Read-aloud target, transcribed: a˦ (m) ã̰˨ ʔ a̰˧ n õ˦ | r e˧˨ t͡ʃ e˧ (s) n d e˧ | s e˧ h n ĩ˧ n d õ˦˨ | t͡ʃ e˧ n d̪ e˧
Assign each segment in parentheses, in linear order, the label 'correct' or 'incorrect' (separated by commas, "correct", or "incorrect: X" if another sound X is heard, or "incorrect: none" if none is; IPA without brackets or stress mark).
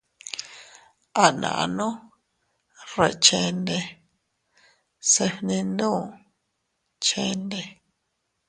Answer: incorrect: n, incorrect: none